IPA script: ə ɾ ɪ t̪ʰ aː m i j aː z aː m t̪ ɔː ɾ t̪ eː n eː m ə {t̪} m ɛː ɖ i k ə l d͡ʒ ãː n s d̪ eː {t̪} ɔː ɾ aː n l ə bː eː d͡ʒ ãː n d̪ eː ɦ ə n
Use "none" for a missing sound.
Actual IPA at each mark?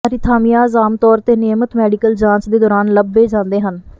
t̪, d̪

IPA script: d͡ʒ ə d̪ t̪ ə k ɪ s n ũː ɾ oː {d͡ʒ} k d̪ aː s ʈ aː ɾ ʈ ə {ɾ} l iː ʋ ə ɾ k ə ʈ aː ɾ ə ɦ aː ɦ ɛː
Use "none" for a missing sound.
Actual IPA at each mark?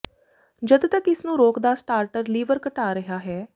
none, ɾ

